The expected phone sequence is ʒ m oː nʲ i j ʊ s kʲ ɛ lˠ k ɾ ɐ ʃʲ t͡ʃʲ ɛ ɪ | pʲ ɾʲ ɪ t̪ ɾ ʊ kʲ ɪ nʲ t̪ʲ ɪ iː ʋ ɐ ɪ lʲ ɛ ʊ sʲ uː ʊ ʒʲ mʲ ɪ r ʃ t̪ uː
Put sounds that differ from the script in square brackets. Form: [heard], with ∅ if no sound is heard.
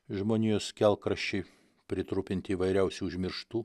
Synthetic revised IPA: ʒ m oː nʲ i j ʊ s kʲ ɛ lˠ k ɾ ɐ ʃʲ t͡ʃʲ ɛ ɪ | pʲ ɾʲ ɪ t̪ ɾ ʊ [pʲ] ɪ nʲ t̪ʲ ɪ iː ʋ ɐ ɪ [ɾʲ] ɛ ʊ sʲ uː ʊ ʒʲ mʲ ɪ [ɾ] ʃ t̪ uː